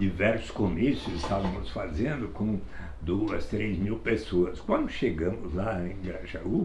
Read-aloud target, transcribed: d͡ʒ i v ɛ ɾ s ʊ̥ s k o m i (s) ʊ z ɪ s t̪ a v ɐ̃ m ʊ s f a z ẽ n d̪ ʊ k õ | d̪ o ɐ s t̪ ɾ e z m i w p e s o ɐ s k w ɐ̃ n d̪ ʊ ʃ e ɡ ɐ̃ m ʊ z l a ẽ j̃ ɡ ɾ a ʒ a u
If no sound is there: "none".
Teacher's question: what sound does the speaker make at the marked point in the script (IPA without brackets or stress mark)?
s